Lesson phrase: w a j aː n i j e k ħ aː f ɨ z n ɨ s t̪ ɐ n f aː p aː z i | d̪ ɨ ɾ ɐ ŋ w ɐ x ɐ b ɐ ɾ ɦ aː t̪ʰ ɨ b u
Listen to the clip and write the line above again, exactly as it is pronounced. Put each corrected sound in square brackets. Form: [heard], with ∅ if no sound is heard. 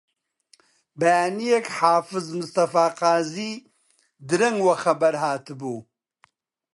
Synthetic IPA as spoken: [b] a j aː n i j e k ħ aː f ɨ z [m] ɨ s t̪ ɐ [∅] f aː [q] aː z i | d̪ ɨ ɾ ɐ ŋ w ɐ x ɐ b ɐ ɾ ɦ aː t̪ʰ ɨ b u